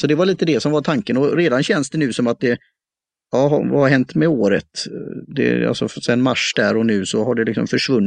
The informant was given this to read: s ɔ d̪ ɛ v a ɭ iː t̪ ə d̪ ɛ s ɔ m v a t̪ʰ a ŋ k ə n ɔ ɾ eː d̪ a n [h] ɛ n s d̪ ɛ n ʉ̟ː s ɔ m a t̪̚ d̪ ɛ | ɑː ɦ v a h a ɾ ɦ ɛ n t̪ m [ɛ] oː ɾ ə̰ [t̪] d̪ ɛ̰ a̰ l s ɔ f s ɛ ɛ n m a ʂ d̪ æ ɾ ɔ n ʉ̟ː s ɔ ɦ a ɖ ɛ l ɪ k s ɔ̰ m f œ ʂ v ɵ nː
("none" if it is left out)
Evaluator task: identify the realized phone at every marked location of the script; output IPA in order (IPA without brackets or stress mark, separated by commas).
ɕ, ɛ, t̪